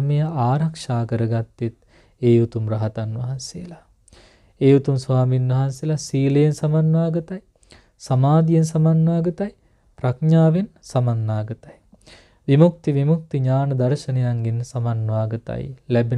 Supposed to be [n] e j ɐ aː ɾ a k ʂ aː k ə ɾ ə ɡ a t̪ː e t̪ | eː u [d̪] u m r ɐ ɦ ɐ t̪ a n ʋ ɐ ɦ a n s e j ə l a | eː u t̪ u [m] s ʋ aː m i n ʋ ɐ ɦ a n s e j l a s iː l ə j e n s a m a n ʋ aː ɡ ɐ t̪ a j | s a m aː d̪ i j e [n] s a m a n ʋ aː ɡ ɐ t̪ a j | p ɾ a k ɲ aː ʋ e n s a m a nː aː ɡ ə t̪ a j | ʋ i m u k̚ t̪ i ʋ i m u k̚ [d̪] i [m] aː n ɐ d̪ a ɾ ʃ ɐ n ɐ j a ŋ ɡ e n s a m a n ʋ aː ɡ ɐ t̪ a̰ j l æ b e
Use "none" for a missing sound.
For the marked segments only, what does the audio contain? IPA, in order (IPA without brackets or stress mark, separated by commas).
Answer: m, t̪, m, n, t̪, ɲ